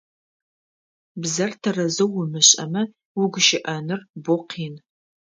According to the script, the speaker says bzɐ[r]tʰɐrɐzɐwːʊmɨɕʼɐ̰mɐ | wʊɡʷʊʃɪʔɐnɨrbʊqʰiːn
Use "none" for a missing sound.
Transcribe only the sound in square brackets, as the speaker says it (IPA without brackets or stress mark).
r